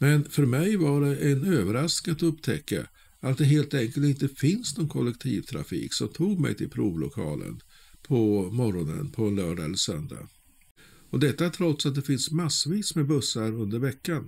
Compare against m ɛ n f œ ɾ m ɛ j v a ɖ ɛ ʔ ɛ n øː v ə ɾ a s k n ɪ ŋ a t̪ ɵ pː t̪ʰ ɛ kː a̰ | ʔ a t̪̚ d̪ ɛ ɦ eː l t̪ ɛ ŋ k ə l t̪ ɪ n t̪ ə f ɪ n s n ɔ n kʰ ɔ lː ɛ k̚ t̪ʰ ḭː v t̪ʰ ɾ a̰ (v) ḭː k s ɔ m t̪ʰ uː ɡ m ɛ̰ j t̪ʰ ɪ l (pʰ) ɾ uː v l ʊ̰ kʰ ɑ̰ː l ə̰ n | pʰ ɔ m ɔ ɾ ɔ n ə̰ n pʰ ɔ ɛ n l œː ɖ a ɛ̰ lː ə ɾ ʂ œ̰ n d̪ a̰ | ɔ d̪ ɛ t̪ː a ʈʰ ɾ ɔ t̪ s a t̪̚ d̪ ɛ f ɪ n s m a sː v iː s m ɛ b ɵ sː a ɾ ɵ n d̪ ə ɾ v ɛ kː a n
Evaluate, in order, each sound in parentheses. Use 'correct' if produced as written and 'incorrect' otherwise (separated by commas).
incorrect, correct